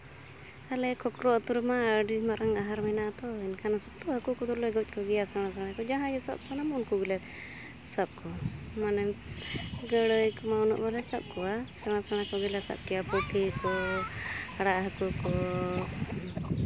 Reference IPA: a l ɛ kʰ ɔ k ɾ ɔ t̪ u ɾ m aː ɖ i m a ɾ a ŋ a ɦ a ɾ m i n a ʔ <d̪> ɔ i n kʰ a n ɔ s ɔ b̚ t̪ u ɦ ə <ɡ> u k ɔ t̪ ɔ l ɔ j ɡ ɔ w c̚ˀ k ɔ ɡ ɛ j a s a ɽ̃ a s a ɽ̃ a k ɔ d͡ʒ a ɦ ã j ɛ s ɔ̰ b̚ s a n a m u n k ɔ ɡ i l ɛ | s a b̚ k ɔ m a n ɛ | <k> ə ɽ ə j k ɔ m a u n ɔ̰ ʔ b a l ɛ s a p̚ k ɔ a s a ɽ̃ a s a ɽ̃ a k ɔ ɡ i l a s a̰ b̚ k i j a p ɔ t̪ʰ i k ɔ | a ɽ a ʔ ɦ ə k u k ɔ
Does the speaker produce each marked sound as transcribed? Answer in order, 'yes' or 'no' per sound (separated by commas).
no, no, no